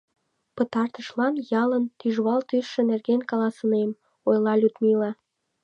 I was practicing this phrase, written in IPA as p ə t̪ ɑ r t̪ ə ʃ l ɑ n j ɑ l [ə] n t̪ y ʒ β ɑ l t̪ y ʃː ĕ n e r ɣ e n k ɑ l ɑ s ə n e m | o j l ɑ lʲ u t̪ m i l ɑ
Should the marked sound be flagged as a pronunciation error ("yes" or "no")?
no